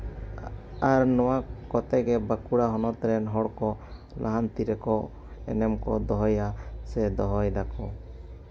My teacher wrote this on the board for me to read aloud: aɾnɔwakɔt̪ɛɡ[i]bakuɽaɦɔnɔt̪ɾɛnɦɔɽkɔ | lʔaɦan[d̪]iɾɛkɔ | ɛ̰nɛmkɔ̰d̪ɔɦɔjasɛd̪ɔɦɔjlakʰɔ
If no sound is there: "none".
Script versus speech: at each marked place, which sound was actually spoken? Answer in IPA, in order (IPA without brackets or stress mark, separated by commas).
ɛ, t̪